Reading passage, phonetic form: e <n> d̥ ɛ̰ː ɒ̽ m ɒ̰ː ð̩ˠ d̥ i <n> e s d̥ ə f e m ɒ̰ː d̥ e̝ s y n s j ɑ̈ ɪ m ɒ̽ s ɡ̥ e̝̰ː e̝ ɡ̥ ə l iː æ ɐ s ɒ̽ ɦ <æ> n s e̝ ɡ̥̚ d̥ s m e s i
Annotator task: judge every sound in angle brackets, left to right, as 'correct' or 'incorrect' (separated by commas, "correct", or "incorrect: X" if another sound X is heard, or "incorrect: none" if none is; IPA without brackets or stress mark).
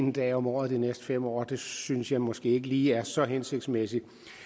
correct, correct, incorrect: e